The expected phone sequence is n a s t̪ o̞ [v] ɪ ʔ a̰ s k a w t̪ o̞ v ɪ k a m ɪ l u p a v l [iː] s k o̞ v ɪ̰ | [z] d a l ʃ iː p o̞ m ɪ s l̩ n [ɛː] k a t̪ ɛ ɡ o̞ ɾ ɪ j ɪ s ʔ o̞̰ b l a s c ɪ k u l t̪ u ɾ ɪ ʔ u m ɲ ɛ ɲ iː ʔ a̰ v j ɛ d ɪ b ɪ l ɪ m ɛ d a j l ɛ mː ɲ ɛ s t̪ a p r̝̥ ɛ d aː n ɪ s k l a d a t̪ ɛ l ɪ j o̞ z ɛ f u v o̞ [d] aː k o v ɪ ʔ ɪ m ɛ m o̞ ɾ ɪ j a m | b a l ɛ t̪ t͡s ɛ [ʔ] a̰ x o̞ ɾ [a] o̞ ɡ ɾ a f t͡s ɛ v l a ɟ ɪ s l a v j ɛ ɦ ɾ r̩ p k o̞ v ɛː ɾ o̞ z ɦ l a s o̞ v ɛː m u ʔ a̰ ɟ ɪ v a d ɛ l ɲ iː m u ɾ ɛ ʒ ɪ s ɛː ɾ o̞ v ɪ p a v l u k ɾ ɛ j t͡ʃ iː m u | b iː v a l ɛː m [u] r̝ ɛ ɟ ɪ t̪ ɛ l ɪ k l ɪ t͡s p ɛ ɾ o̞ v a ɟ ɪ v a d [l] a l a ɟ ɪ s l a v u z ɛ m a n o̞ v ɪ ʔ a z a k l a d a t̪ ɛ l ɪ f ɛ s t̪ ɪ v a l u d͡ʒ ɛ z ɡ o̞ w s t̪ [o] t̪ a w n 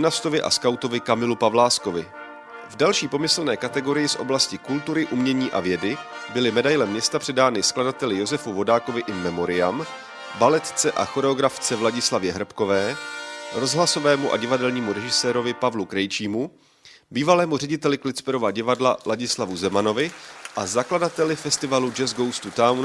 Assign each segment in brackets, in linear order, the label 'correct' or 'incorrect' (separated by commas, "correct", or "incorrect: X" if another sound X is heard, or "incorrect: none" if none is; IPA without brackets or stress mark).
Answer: correct, incorrect: aː, incorrect: v, correct, correct, correct, incorrect: ɛ, correct, correct, incorrect: u